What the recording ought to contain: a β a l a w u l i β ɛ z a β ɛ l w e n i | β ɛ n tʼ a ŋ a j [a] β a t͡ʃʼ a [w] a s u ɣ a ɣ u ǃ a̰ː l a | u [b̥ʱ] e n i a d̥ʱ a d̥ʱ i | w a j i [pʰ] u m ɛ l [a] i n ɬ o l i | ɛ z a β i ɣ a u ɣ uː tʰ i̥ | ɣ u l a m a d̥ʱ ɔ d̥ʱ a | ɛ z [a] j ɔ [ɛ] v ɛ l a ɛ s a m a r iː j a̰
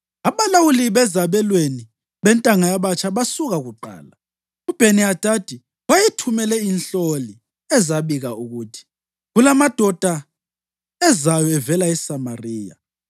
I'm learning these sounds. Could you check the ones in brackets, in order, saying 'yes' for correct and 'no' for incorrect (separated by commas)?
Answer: yes, no, yes, no, no, yes, yes